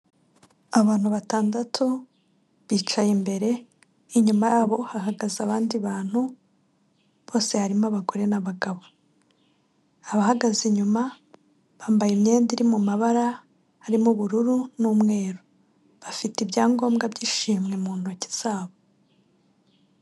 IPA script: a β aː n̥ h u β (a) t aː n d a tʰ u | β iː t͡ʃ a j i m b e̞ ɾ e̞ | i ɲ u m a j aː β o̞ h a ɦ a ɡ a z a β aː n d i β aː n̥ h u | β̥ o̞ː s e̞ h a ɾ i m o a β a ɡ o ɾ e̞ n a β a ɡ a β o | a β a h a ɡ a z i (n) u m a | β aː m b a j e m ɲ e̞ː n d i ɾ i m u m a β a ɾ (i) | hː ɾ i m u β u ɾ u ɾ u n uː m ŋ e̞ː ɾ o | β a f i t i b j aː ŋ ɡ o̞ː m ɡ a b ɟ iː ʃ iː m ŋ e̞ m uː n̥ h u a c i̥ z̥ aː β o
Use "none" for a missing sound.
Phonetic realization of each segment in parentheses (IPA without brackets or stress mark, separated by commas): a, ɲ, a